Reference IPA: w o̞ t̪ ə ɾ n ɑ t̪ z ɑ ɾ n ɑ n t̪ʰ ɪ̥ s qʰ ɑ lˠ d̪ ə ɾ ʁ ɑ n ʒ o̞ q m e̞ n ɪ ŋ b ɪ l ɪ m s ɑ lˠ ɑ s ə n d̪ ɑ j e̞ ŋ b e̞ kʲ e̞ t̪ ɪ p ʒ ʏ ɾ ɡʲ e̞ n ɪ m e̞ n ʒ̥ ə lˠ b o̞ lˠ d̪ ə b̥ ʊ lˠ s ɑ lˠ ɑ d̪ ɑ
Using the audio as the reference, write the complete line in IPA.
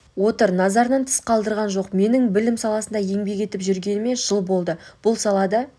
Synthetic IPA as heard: w o̞ t̪ ə ɾ n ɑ z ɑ ɾ n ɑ n t̪ʰ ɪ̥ s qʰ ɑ lˠ d̪ ə ɾ ʁ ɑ n ʒ o̞ q m e̞ n ɪ ŋ b ɪ l ɪ m s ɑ lˠ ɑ s ə n d̪ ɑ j e̞ ŋ b e̞ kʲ e̞ t̪ ɪ p ʒ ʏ ɾ ɡʲ e̞ n ɪ m e̞ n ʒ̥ ə lˠ b o̞ lˠ d̪ ə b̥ ʊ lˠ s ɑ lˠ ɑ d̪ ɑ